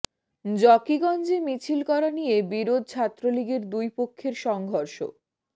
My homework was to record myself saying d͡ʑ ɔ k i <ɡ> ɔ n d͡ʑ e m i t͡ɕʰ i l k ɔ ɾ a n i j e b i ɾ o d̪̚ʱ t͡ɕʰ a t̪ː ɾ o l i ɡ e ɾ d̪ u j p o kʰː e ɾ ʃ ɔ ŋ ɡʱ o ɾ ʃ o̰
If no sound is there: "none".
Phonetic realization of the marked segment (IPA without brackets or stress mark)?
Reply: ɡ